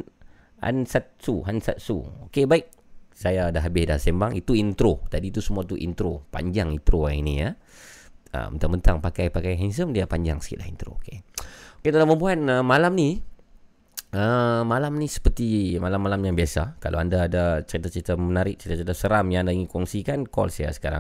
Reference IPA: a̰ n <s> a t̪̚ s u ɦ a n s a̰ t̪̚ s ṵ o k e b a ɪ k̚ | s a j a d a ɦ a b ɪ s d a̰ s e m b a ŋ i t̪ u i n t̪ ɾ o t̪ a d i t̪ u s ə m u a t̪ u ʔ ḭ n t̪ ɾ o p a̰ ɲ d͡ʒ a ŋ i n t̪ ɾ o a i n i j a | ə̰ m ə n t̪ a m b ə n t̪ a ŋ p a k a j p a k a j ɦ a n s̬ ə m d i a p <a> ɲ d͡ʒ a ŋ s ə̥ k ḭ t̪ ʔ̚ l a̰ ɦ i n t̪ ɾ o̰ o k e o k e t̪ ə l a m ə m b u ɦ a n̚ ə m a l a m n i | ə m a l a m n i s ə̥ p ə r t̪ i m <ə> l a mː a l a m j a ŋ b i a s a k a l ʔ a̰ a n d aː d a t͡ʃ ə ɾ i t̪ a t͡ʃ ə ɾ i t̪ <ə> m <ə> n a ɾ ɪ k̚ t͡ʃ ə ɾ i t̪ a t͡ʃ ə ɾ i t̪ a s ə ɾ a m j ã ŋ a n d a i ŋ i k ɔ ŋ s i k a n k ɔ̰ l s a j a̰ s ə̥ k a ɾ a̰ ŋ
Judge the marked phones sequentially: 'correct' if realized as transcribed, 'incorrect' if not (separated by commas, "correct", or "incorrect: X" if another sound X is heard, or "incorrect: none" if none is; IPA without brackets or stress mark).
correct, correct, incorrect: a, incorrect: a, correct